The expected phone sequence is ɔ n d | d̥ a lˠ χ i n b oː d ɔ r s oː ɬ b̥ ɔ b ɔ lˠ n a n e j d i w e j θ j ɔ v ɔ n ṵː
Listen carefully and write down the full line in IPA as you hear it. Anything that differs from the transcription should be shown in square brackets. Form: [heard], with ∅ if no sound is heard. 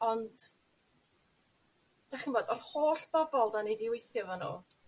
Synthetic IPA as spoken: ɔ n d | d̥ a [∅] χ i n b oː d ɔ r [h] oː ɬ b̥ ɔ b ɔ lˠ [d] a n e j d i w e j θ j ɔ v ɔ n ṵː